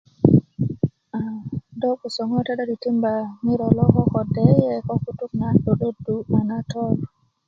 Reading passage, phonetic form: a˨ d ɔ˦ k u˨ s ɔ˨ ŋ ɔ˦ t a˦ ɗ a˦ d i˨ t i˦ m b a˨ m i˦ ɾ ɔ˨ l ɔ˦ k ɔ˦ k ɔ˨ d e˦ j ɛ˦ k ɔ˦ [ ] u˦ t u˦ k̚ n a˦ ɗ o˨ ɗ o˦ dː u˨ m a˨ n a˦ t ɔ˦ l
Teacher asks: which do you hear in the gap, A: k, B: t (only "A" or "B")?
A